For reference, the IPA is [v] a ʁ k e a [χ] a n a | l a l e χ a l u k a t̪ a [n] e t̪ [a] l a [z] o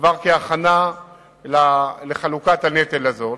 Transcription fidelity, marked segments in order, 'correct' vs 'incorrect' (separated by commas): correct, correct, correct, incorrect, correct